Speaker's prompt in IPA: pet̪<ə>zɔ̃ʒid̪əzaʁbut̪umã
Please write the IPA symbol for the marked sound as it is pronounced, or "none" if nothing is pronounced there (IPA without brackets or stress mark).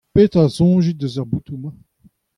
a